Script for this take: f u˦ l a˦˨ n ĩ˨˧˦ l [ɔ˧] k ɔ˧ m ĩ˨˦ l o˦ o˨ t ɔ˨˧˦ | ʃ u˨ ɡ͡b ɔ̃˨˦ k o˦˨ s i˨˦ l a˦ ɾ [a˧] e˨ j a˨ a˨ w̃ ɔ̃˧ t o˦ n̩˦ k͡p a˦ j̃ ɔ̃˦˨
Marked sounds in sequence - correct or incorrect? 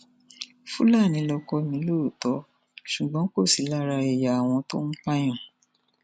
correct, correct

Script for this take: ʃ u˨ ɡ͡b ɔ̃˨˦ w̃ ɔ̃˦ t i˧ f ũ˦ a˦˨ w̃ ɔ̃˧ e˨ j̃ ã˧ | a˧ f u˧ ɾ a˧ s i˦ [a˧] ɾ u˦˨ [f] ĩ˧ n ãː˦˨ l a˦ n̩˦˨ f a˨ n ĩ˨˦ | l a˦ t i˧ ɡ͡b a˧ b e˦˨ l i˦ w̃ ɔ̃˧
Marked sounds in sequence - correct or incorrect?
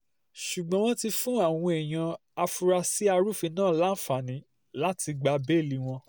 correct, correct

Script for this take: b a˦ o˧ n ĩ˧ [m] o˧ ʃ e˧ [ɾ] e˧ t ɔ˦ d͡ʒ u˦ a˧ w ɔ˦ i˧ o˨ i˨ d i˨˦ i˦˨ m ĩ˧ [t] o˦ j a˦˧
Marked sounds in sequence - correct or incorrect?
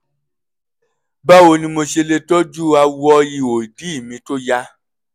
correct, incorrect: l, correct

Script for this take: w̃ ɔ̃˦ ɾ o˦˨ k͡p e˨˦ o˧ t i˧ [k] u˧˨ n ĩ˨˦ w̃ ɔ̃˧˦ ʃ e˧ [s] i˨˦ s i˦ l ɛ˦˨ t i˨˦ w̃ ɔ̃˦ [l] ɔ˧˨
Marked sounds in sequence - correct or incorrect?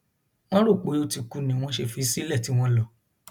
correct, incorrect: f, correct

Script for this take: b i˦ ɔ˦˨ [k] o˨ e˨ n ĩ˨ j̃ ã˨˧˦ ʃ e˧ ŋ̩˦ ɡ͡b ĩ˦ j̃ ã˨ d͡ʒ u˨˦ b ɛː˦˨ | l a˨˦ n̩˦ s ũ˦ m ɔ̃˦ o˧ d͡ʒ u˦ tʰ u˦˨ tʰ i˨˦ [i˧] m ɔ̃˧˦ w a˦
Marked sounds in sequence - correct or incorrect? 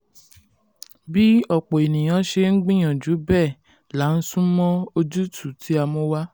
incorrect: k͡p, incorrect: a˧

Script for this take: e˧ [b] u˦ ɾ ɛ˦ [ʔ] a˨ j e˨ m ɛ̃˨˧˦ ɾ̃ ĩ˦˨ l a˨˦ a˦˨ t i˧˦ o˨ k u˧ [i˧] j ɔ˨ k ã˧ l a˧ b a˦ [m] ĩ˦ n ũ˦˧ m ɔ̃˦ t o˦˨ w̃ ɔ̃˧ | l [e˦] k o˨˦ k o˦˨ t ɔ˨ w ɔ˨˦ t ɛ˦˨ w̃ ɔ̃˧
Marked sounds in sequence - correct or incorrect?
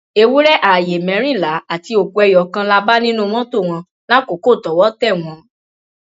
incorrect: w, correct, incorrect: ɛ˧, incorrect: n, incorrect: a˦

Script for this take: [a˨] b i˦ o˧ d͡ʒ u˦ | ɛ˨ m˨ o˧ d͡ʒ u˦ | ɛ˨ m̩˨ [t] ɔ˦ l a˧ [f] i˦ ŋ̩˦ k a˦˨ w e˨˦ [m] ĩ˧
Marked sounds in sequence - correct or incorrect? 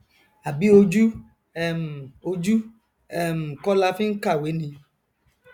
correct, incorrect: k, correct, incorrect: n

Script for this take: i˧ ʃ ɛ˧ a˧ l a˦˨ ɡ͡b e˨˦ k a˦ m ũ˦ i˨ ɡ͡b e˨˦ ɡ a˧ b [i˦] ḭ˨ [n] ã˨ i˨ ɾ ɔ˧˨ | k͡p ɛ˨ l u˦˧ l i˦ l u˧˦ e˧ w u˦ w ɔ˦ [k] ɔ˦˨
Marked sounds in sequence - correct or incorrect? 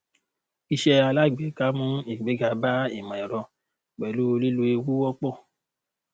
incorrect: a˦, incorrect: m, incorrect: k͡p

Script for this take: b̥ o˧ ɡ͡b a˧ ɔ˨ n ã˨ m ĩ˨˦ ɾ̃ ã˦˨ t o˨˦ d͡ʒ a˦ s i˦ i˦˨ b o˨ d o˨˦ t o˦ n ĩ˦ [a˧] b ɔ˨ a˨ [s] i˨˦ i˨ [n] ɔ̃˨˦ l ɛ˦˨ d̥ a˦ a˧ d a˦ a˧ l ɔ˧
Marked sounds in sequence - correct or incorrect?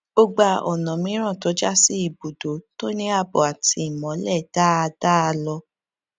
correct, incorrect: t, incorrect: m

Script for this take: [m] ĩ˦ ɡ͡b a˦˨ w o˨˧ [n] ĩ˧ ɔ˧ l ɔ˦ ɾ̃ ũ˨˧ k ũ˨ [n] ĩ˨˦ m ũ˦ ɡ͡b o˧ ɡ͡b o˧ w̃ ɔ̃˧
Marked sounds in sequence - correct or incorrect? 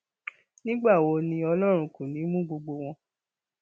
incorrect: n, correct, correct

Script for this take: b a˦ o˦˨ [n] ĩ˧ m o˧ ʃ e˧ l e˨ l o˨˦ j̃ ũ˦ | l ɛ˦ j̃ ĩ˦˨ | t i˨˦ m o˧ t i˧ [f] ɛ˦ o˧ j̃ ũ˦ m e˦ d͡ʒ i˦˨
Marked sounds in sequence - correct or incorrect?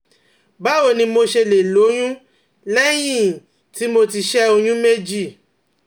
correct, incorrect: ʃ

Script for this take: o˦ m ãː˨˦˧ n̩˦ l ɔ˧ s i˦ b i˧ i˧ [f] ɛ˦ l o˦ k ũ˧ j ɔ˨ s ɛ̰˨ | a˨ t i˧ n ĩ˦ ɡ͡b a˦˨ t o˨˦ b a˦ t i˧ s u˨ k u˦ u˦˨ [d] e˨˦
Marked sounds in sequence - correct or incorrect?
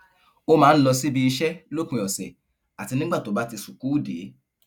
incorrect: ʃ, correct

